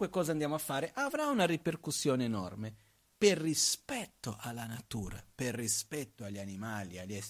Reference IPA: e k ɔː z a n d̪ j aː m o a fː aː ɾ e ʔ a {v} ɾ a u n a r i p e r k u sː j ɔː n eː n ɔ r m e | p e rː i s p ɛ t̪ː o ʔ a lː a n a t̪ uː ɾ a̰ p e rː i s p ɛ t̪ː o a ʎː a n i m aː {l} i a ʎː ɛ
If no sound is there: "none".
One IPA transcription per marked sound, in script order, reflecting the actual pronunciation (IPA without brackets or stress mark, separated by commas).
v, l